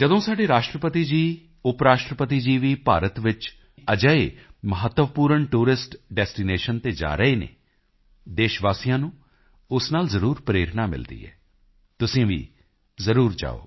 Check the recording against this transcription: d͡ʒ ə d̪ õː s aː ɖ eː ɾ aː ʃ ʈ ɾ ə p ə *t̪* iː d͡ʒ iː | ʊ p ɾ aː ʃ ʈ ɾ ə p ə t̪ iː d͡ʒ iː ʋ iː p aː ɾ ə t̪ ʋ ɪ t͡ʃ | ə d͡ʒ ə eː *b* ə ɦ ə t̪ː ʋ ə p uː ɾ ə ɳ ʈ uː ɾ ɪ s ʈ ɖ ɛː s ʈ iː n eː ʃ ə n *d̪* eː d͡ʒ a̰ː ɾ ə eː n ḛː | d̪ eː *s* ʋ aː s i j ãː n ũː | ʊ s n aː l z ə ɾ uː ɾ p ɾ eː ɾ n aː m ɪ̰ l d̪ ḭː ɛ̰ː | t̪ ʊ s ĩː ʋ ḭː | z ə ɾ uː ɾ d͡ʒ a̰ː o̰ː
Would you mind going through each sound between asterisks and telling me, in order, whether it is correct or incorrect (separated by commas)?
correct, incorrect, incorrect, incorrect